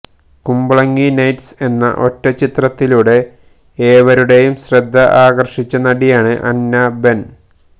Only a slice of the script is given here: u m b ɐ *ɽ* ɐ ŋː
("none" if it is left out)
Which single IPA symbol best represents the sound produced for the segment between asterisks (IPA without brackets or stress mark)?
ɭ